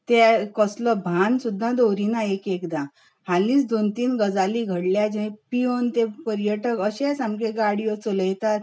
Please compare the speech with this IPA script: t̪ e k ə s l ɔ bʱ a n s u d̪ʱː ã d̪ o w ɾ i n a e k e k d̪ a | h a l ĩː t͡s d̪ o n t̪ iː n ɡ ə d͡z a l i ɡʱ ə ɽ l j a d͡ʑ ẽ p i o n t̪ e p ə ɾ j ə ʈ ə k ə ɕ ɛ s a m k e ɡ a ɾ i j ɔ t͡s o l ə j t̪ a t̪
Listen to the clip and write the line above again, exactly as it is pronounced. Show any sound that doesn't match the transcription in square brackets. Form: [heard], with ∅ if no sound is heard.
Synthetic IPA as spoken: t̪ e k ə s l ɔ bʱ a n s u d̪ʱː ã d̪ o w ɾ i n a e k e k d̪ a | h a l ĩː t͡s d̪ o n t̪ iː n ɡ ə d͡z a l i ɡʱ ə ɽ l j a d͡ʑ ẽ p i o n t̪ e p ə ɾ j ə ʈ ə k ə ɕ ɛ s a m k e ɡ a [ɽ] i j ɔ t͡s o l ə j t̪ a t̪